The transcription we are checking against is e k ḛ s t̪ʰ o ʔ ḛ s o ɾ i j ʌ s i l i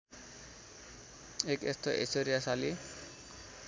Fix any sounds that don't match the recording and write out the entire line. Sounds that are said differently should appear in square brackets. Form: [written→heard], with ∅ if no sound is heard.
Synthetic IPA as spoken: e k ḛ s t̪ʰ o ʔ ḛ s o ɾ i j [ʌ→a] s [i→a] l i